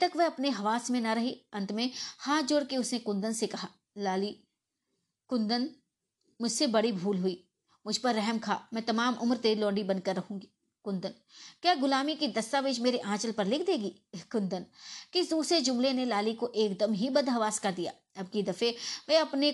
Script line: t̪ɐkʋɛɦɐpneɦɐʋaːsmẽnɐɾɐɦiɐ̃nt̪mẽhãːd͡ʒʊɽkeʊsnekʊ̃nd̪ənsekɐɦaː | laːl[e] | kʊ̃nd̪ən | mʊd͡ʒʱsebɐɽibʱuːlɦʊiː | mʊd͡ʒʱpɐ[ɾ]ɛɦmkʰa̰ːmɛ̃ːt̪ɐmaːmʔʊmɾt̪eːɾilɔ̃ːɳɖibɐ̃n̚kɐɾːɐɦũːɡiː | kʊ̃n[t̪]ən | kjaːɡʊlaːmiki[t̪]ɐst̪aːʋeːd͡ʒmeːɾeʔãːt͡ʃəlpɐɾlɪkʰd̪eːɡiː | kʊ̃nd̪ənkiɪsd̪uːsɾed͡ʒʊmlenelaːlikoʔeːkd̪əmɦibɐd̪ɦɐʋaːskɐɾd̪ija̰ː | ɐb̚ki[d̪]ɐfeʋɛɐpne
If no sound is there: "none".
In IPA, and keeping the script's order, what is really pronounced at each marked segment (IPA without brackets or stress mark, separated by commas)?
i, ɾː, d̪, d̪, d̪